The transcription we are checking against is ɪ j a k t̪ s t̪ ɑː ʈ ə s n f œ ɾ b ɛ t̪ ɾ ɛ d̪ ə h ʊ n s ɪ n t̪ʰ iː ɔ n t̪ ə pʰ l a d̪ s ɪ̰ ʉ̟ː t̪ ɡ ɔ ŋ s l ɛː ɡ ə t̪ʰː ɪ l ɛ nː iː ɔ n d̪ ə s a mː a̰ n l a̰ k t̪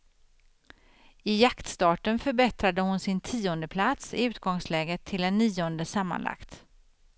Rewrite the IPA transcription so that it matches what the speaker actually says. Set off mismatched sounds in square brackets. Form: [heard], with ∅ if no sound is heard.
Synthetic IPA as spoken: ɪ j a k t̪ s t̪ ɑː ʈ ə [∅] n f œ ɾ b ɛ t̪ ɾ [a] d̪ ə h ʊ n s ɪ n t̪ʰ iː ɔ n [d̪] ə pʰ l a [t̪] s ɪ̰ ʉ̟ː t̪ ɡ ɔ ŋ s l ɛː ɡ ə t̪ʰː ɪ l ɛ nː iː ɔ n d̪ ə s a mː a̰ n l a̰ k t̪